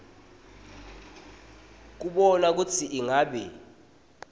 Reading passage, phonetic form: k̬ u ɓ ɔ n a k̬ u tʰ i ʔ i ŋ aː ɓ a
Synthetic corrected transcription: k̬ u ɓ ɔ n a k̬ u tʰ i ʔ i ŋ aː ɓ ɛ